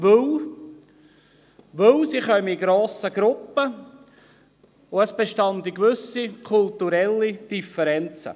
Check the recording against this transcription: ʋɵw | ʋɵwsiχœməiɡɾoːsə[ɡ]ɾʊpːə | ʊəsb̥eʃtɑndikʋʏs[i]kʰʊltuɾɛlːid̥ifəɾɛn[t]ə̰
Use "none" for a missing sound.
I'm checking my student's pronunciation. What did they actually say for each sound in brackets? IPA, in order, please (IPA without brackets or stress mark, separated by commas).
ɡ, i, t͡s